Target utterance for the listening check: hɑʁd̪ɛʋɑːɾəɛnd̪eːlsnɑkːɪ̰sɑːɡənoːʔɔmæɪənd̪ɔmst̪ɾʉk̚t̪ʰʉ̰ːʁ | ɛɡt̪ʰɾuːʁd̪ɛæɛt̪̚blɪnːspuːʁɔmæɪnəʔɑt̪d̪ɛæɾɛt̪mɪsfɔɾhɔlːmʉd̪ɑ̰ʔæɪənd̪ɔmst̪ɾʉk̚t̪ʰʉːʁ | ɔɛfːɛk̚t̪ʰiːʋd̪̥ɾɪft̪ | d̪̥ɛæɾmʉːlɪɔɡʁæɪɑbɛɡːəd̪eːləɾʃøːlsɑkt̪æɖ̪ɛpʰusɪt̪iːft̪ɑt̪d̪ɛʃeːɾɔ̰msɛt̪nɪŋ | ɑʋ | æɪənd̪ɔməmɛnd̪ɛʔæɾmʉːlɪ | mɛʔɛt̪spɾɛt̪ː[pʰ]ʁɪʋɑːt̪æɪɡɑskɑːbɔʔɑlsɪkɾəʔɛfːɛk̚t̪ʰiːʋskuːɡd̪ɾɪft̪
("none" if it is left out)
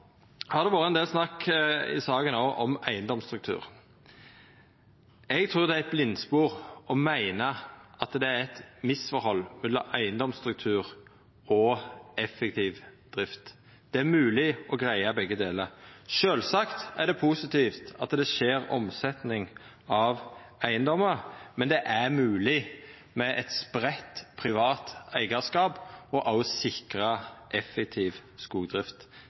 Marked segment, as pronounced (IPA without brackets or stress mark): pʰ